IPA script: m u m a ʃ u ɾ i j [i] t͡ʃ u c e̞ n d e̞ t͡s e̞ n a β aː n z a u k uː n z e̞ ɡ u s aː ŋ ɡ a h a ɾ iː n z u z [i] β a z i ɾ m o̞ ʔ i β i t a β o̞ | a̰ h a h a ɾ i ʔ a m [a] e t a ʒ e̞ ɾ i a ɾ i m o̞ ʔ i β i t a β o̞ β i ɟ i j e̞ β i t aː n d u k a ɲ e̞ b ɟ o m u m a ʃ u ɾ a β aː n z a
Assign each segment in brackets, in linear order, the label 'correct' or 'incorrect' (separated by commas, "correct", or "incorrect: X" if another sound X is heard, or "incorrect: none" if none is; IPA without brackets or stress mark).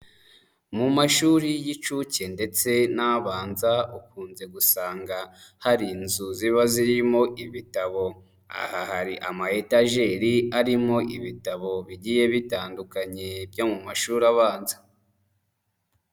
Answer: correct, correct, correct